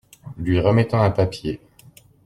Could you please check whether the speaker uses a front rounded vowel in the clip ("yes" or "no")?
no